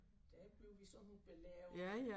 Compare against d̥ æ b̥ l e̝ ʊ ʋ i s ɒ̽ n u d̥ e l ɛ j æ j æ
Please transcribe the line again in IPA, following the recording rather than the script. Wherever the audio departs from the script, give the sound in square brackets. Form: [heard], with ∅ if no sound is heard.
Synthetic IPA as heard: d̥ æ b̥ l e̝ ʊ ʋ i s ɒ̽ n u [b̥] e l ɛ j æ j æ

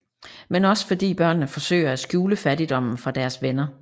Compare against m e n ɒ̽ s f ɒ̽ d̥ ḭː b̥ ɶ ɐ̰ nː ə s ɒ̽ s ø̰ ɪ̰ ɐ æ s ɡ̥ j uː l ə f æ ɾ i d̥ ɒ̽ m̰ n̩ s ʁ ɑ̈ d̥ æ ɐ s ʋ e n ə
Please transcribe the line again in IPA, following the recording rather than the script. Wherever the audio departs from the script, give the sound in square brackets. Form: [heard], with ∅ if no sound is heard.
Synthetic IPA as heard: m e n ɒ̽ s f ɒ̽ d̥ ḭː b̥ ɶ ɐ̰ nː ə [f] ɒ̽ s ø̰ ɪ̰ ɐ æ s ɡ̥ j uː l ə f æ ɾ i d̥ ɒ̽ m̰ n̩ [f] ʁ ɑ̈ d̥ æ ɐ s ʋ e n [ɐ]

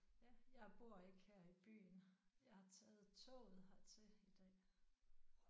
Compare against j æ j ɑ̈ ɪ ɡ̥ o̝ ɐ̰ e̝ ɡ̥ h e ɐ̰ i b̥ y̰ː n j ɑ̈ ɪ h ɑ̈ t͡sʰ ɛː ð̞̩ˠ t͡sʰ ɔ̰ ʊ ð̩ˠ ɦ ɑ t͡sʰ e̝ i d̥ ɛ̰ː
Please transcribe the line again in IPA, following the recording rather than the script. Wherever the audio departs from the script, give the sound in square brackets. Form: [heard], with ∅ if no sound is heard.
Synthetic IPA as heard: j æ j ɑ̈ ɪ [b̥] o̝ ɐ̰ e̝ ɡ̥ h e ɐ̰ i b̥ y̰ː n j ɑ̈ ɪ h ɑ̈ t͡sʰ ɛː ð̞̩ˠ t͡sʰ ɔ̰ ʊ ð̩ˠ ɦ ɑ t͡sʰ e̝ i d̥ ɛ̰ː

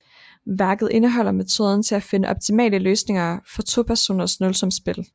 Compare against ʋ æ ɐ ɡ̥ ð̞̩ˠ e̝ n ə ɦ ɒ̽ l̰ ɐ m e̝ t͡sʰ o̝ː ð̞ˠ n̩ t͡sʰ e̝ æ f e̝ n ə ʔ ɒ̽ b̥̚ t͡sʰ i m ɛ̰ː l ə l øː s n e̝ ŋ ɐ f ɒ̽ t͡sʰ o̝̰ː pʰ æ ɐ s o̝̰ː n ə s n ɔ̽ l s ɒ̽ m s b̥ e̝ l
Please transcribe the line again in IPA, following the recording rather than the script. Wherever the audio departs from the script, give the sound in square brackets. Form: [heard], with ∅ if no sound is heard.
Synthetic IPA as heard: ʋ æ ɐ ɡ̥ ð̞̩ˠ e̝ n ə ɦ ɒ̽ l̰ ɐ m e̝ t͡sʰ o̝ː ð̞ˠ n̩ t͡sʰ e̝ æ f e̝ n ə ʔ ɒ̽ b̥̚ t͡sʰ i m ɛ̰ː l ə l øː s n e̝ ŋ ɐ f ɒ̽ t͡sʰ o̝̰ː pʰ æ ɐ s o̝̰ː n [ɐ] s n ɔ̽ l s ɒ̽ m s b̥ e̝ l

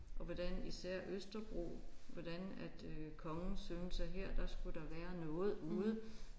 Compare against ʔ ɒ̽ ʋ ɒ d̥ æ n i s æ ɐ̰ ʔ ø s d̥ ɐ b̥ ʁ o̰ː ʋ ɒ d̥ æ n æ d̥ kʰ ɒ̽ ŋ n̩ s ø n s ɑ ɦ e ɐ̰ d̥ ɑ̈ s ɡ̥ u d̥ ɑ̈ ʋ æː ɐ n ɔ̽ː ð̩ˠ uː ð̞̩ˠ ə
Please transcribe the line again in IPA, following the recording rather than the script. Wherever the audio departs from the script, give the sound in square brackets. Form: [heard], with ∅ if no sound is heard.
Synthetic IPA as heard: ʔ ɒ̽ ʋ ɒ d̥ æ n i s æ ɐ̰ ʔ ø s d̥ ɐ b̥ ʁ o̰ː ʋ ɒ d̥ æ n æ d̥ kʰ ɒ̽ ŋ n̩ s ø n s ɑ ɦ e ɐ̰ d̥ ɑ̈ s ɡ̥ u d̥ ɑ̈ ʋ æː ɐ n ɔ̽ː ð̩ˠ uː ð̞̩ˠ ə

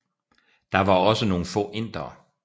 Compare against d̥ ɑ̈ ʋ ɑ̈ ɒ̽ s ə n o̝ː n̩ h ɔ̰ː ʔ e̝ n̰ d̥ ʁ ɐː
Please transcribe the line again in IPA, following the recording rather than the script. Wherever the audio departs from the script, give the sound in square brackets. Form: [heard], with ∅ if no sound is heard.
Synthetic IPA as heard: d̥ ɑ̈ ʋ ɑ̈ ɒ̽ s ə n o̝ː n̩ [f] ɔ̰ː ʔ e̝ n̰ d̥ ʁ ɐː

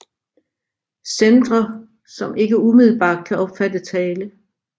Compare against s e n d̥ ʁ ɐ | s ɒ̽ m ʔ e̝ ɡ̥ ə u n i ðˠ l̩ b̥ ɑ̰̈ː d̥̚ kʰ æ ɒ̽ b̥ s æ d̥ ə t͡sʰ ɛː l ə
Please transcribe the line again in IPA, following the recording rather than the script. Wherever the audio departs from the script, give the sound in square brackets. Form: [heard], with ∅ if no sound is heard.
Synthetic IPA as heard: s e n d̥ ʁ ɐ | s ɒ̽ m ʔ e̝ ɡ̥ ə u [m] i ðˠ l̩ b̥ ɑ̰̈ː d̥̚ kʰ æ ɒ̽ b̥ [f] æ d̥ ə t͡sʰ ɛː l ə

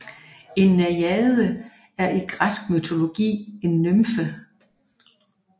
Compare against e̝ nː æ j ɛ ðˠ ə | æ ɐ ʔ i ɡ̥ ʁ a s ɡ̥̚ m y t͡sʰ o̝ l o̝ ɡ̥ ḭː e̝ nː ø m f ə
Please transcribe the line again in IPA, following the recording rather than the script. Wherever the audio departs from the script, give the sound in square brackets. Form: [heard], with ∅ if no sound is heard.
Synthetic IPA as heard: e̝ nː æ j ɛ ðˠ ə | æ ɐ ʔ i ɡ̥ ʁ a s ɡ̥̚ m y t͡sʰ o̝ l o̝ ɡ̥ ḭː e̝ nː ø m f ə

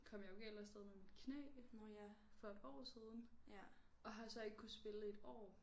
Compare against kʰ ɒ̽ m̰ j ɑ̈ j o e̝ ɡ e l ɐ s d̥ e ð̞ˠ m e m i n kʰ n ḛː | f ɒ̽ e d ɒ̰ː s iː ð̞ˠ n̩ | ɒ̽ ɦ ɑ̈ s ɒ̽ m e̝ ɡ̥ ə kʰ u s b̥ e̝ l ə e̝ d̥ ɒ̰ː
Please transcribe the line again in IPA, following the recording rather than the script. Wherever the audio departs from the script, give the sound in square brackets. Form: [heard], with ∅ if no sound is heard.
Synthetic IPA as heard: kʰ ɒ̽ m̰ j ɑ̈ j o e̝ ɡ e l ɐ s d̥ e ð̞ˠ m e m i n kʰ n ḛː | f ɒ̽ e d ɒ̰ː s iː ð̞ˠ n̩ | ɒ̽ ɦ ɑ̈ s ɒ̽ [∅] e̝ ɡ̥ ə kʰ u s b̥ e̝ l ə e̝ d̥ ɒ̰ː

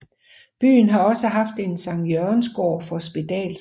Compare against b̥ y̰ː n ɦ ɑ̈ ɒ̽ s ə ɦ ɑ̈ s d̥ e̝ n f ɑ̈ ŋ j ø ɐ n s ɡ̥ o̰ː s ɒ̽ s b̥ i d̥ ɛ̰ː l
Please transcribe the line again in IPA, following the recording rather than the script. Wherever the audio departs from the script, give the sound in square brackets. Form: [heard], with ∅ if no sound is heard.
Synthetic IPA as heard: b̥ y̰ː n ɦ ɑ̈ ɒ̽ s ə ɦ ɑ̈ [f] d̥ e̝ n [s] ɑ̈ ŋ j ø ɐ n s ɡ̥ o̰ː [f] ɒ̽ s b̥ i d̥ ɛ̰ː l

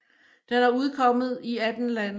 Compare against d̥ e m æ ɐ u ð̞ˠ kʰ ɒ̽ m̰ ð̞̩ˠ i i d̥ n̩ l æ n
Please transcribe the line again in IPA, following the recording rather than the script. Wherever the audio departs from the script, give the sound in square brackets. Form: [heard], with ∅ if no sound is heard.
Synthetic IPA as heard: d̥ e [n] æ ɐ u ð̞ˠ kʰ ɒ̽ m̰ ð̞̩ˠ i [æ] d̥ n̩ l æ n

